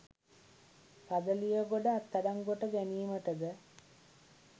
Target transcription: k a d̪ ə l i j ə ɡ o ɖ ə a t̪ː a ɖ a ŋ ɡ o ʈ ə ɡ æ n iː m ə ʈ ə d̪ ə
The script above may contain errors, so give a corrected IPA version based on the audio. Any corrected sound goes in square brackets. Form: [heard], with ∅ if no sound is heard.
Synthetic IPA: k a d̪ ə l i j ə ɡ o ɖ ə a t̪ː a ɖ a ŋ ɡ o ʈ ə ɡ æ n iː m ə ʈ ə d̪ ə